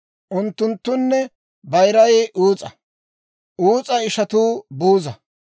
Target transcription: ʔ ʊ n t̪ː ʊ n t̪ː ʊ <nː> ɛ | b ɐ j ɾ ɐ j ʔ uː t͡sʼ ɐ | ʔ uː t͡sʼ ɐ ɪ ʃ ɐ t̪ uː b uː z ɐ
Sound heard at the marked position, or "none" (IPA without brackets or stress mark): nː